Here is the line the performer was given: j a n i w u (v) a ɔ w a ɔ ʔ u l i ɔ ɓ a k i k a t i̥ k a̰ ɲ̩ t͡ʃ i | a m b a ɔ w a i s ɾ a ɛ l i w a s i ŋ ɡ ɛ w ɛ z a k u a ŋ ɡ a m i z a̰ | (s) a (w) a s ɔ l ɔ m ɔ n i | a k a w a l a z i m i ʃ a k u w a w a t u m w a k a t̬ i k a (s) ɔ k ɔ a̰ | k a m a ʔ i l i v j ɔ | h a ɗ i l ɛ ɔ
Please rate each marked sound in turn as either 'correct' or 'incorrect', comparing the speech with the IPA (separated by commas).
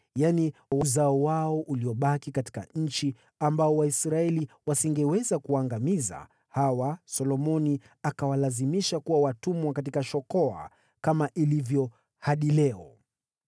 incorrect, incorrect, correct, incorrect